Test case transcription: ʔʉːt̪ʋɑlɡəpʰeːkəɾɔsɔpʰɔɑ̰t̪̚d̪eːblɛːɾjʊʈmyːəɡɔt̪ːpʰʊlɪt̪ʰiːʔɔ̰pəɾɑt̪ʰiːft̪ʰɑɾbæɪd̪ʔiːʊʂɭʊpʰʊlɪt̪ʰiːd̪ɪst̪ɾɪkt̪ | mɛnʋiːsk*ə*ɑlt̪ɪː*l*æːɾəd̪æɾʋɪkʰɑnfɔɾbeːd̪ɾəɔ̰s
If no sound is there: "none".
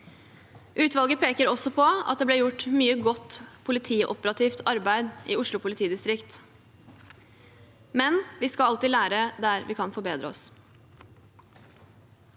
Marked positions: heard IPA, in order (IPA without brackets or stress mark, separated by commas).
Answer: ɑ, l